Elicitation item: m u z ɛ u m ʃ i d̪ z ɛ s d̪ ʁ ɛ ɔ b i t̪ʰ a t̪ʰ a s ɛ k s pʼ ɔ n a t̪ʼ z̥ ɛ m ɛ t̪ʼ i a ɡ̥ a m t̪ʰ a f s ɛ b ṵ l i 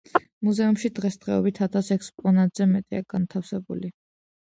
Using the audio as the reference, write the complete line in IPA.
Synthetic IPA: m u z ɛ u m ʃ i d̪ ʁ ɛ s d̪ ʁ ɛ ɔ b i t̪ʰ a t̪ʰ a s ɛ k s pʼ ɔ n a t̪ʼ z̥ ɛ m ɛ t̪ʼ i a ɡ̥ a n t̪ʰ a f s ɛ b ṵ l i